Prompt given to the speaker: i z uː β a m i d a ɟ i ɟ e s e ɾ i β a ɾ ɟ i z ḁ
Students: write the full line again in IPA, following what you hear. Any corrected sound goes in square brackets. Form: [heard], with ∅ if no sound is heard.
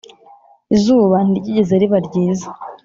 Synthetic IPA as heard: i z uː β a [n] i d [i] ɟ i ɟ e [z] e ɾ i β a ɾ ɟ [iː] z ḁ